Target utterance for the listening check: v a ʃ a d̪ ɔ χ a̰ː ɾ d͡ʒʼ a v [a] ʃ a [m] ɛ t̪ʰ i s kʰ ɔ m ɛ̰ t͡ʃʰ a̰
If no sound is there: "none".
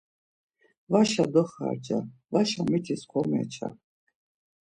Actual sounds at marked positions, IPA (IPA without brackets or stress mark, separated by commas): a, m